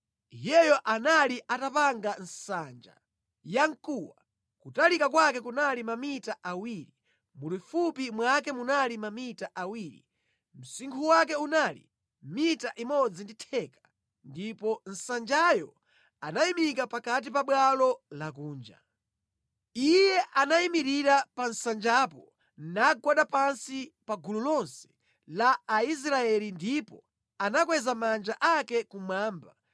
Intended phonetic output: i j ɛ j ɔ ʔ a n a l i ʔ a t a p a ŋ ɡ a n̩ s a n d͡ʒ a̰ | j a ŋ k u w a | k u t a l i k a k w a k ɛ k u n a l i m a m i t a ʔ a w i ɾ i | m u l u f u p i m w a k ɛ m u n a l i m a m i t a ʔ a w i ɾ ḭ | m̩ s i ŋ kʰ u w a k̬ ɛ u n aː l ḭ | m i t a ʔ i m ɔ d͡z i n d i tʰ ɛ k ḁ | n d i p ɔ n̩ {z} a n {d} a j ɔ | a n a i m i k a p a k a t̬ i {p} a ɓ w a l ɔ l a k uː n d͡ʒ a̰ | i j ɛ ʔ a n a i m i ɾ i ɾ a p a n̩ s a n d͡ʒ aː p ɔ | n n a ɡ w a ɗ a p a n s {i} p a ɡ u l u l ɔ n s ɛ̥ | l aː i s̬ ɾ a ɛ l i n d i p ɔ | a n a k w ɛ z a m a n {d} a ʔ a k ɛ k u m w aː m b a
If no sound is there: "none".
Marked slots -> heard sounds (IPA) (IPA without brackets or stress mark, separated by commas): s, d͡ʒ, p, i, d͡ʒ